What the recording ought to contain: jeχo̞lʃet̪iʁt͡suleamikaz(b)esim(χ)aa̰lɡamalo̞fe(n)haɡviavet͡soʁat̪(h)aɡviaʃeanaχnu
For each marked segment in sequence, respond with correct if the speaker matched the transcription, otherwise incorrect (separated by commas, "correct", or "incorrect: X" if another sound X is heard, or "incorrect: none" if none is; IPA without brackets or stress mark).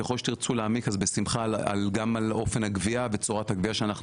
correct, correct, correct, correct